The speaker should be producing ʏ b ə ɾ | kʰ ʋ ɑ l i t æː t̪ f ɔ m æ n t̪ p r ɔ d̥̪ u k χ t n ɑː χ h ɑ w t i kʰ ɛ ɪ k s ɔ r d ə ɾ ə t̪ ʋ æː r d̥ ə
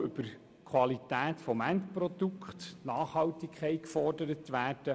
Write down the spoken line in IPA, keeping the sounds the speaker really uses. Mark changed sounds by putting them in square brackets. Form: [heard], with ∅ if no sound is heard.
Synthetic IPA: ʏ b ə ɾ | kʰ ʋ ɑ l i t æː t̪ f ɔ m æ n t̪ p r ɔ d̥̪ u k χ t n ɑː χ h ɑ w t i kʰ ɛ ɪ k [f] ɔ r d ə ɾ ə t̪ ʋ æː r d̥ ə